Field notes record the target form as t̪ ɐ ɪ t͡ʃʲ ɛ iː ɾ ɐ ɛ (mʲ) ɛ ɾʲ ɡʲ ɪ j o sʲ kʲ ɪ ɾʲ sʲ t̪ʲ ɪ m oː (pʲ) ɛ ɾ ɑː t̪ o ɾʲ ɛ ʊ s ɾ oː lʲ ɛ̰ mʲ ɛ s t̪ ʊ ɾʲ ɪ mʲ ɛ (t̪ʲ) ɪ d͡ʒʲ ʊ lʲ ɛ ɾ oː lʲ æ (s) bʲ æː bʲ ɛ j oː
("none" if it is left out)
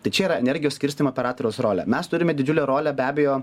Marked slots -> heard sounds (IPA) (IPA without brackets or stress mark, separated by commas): nʲ, pʲ, d̪ʲ, none